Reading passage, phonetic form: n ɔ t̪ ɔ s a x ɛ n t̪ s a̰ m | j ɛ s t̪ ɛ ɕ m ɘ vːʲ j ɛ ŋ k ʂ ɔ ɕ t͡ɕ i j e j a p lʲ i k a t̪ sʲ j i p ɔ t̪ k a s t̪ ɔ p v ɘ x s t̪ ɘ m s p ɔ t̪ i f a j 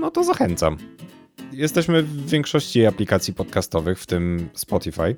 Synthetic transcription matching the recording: n ɔ t̪ ɔ z a x ɛ n t̪ s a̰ m | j ɛ s t̪ ɛ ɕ m ɘ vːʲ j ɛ ŋ k ʂ ɔ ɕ t͡ɕ i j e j a p lʲ i k a t̪ sʲ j i p ɔ t̪ k a s t̪ ɔ v ɘ x f t̪ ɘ m s p ɔ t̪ i f a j